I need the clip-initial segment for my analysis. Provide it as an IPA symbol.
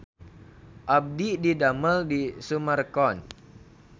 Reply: ʔ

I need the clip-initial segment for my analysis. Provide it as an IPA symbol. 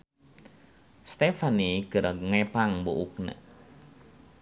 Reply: s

